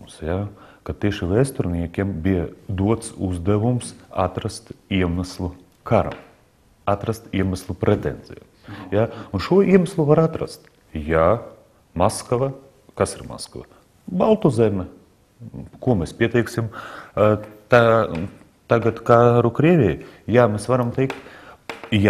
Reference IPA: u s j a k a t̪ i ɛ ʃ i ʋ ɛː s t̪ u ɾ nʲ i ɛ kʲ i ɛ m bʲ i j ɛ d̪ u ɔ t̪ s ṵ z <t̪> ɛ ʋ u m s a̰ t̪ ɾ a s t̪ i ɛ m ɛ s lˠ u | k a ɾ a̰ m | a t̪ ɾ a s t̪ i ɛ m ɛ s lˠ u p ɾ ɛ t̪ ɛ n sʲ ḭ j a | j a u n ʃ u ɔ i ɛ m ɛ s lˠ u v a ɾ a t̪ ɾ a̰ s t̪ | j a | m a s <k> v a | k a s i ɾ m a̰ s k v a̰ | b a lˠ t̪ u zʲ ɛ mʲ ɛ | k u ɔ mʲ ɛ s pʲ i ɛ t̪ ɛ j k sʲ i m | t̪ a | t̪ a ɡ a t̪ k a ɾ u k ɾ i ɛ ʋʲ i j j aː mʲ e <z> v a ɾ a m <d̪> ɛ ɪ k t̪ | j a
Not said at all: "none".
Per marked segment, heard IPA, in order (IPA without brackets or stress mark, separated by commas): d̪, k, s, t̪